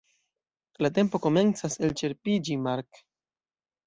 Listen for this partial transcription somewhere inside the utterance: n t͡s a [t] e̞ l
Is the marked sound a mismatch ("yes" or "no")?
yes